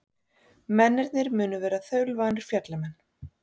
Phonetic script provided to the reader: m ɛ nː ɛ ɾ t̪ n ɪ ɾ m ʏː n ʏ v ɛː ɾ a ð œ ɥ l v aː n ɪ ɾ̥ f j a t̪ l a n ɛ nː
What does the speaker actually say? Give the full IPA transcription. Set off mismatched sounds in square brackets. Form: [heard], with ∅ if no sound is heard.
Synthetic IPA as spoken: m ɛ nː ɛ ɾ t̪ n ɪ ɾ m ʏː n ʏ v ɛː ɾ a [θ] œ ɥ l v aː n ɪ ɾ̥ f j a t̪ l a [m] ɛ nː